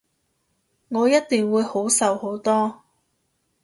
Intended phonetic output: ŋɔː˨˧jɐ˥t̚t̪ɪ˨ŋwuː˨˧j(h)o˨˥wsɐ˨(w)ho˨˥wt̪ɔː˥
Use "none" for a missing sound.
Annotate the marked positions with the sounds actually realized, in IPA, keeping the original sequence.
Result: h, w

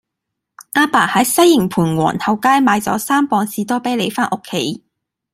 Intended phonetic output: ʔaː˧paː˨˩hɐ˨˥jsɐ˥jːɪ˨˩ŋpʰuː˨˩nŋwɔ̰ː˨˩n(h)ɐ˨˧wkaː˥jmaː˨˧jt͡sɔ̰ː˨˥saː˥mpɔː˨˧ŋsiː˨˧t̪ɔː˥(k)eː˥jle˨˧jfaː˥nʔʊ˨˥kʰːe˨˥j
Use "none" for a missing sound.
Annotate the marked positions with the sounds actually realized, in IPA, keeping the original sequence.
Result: h, p

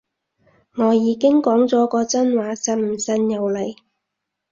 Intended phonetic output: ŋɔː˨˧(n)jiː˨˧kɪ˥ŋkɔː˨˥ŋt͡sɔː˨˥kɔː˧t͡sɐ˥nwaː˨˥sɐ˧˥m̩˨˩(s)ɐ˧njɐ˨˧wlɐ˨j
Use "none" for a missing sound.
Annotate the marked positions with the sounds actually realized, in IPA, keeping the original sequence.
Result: none, s

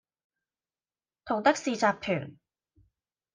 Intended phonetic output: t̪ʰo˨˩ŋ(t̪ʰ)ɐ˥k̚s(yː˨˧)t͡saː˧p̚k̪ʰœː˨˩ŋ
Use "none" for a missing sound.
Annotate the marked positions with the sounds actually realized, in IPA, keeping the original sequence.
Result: t̪, iː˨˧

